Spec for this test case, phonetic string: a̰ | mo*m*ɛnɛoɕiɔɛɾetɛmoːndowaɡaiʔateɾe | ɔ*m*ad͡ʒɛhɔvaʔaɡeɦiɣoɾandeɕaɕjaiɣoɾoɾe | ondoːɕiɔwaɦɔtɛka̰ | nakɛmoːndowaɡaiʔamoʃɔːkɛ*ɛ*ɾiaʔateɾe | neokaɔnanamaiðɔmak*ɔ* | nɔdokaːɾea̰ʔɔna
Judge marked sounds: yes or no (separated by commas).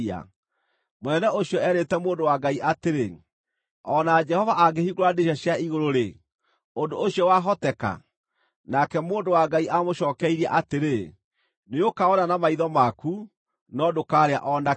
no, no, no, no